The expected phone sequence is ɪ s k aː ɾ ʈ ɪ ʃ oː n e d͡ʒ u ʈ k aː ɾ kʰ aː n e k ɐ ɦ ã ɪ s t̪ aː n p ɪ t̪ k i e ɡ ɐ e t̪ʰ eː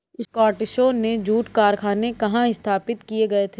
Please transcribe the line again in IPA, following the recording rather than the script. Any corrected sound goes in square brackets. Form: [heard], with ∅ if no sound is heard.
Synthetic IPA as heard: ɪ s k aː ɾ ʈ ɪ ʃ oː n e d͡ʒ [uː] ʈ k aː ɾ kʰ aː n e k ɐ ɦ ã ɪ s [t̪ʰ] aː [∅] p ɪ t̪ k i e ɡ ɐ e t̪ʰ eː